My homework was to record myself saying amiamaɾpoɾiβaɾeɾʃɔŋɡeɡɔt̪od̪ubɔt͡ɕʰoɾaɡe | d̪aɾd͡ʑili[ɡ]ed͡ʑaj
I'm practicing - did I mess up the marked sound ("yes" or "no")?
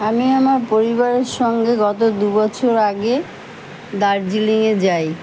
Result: yes